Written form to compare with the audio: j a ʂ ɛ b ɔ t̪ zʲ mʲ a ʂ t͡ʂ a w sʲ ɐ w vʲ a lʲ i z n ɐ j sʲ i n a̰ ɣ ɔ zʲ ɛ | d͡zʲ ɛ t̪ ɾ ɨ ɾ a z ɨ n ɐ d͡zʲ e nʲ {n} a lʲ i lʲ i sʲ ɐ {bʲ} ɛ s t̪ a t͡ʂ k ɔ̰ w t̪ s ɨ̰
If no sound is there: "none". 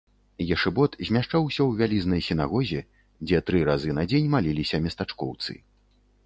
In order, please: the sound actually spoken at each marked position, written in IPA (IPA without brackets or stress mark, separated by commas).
m, mʲ